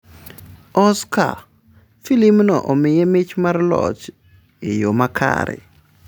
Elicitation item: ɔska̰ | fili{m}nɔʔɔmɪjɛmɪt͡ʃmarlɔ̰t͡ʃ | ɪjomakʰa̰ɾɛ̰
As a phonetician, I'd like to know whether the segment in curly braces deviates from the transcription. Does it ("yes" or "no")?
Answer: no